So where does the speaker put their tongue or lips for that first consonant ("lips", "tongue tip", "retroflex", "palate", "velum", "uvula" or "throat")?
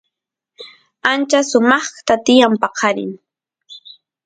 tongue tip